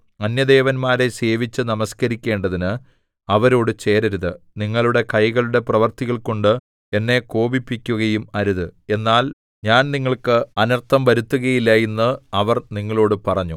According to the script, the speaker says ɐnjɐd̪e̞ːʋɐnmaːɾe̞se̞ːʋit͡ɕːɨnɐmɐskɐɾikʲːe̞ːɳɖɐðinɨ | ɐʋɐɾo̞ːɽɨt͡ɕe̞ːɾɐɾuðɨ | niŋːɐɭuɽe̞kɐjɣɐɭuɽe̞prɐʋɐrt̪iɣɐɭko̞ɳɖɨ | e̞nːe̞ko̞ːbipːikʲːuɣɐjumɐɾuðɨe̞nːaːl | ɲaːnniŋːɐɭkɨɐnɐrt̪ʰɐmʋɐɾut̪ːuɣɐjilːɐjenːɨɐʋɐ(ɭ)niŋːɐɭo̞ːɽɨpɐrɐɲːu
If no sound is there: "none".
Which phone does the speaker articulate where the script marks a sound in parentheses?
r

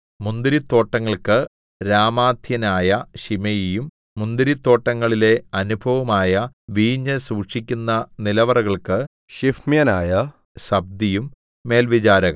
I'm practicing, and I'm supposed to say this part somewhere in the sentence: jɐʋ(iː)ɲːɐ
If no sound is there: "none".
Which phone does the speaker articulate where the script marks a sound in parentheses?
iː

